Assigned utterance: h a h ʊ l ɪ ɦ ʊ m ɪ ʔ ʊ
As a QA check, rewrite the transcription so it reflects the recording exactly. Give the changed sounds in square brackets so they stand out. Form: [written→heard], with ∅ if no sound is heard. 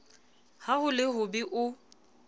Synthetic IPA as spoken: h a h ʊ l ɪ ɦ ʊ [m→b] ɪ ʔ ʊ